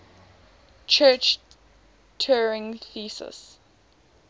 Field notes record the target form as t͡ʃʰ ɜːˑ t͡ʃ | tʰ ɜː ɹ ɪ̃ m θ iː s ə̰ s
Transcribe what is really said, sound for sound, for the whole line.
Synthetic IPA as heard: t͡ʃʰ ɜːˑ t͡ʃ | tʰ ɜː ɹ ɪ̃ ŋ θ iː s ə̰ s